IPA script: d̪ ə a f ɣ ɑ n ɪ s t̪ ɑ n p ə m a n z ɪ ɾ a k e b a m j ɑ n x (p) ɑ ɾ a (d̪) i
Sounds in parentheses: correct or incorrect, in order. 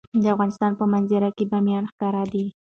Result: incorrect, correct

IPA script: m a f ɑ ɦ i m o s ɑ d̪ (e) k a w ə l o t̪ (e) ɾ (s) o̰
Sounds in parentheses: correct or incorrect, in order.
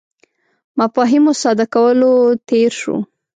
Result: incorrect, correct, incorrect

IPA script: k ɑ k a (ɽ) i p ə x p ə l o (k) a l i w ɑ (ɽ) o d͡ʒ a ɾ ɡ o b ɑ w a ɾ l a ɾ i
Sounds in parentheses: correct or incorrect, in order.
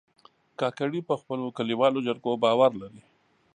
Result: correct, correct, incorrect

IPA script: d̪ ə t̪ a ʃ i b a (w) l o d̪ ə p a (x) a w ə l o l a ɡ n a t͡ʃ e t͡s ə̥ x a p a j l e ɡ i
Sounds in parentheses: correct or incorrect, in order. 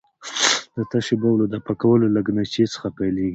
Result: correct, incorrect

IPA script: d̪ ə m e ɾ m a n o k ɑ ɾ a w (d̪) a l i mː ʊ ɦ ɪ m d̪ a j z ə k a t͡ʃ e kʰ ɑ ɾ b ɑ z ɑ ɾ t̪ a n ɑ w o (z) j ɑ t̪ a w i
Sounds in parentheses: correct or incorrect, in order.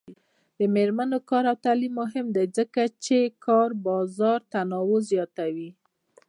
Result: incorrect, correct

